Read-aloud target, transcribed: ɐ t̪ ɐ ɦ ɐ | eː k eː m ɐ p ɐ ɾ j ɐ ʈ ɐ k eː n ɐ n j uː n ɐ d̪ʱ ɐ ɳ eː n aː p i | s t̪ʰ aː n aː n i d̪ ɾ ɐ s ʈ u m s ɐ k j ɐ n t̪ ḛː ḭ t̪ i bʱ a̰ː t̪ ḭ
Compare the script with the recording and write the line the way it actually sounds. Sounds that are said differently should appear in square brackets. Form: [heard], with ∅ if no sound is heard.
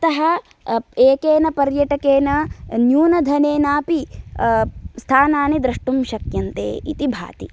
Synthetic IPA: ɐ t̪ ɐ ɦ ɐ | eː k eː [n] ɐ p ɐ ɾ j ɐ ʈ ɐ k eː n ɐ n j uː n ɐ d̪ʱ ɐ [n] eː n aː p i | s t̪ʰ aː n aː n i d̪ ɾ ɐ [ʂ] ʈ u m [ʃ] ɐ k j ɐ n t̪ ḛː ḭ t̪ i bʱ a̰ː t̪ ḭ